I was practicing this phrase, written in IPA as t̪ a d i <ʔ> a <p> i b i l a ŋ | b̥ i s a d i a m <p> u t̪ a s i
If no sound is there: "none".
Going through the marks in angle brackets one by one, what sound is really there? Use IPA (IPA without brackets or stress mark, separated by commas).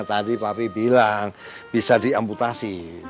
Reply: p, p, p